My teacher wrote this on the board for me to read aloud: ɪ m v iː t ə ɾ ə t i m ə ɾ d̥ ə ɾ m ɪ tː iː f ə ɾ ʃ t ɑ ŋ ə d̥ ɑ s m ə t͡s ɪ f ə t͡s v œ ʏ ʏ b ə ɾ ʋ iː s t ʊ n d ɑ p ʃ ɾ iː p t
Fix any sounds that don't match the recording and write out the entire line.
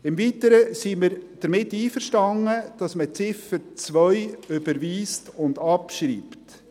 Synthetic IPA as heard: ɪ m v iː t ə ɾ ə s i m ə ɾ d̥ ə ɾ m ɪ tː iː f ə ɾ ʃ t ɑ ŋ ə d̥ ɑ s m ə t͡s ɪ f ə t͡s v œ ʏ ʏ b ə ɾ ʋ iː s t ʊ n d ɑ p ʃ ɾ iː p t